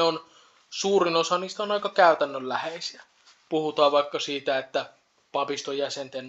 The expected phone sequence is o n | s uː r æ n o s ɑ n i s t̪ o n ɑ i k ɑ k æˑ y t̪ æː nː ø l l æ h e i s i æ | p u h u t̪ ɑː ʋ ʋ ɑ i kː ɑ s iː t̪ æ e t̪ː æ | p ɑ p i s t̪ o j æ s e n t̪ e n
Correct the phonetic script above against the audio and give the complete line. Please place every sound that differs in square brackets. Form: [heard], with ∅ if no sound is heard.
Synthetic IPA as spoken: o n | s uː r [i] n o s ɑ n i s t̪ o n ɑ i k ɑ k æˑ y t̪ [æ] nː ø l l æ h e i s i æ | p u h u t̪ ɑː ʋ ʋ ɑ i kː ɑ s iː t̪ æ e t̪ː æ | p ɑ p i s t̪ o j æ s e n t̪ e n